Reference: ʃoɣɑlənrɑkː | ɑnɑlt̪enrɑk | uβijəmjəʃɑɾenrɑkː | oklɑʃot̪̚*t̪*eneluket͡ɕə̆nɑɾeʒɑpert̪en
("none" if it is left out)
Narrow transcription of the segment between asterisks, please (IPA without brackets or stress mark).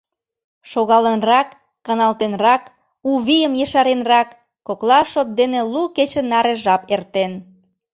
d̪